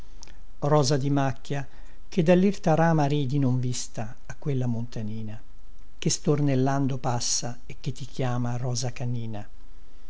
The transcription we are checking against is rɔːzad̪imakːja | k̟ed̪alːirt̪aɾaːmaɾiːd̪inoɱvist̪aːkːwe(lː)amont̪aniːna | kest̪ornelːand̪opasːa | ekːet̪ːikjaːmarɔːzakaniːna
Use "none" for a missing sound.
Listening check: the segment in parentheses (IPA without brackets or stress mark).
lː